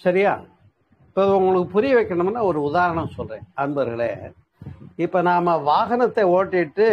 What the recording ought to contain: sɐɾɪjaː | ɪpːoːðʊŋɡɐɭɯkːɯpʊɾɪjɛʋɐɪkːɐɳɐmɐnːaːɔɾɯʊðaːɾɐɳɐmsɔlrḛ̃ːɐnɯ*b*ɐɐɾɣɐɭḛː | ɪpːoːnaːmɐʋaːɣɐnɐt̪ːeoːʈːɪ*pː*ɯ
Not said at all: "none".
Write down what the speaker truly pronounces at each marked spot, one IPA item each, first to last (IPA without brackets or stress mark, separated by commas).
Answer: b, ʈː